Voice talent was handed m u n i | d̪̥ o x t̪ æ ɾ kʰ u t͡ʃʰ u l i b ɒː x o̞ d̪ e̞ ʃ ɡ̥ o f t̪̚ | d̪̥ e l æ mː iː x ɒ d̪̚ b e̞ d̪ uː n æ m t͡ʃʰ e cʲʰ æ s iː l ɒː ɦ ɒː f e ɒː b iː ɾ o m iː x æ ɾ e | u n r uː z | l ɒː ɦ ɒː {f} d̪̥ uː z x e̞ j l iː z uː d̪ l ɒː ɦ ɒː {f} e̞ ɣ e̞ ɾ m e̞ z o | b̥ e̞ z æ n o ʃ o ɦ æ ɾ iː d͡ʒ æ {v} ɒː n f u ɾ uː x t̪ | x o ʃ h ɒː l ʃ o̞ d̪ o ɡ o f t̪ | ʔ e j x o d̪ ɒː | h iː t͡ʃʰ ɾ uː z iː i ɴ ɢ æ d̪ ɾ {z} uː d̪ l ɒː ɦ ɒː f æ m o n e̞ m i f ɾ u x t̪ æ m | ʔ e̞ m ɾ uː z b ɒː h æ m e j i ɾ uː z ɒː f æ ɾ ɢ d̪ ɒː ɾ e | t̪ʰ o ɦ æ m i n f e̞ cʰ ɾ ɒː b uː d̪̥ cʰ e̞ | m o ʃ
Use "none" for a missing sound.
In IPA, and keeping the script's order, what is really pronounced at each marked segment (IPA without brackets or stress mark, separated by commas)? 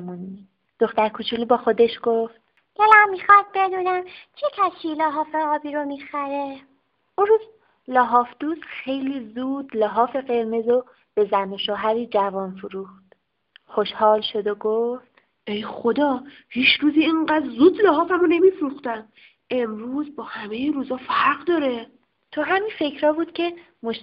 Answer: f, f, v, z